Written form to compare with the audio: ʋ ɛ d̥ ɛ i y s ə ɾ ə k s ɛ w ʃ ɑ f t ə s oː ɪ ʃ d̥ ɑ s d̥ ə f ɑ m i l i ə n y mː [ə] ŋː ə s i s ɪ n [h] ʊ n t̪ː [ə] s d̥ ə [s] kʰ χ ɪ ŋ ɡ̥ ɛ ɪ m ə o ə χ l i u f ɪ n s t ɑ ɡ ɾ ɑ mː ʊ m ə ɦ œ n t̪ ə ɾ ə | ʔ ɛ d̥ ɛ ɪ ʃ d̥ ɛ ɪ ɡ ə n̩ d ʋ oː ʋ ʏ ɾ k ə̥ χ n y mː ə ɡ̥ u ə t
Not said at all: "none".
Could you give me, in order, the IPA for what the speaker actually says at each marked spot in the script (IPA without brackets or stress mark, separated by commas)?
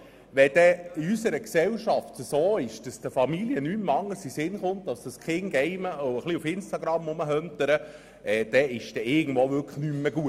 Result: ɑ, χ, ɑ, s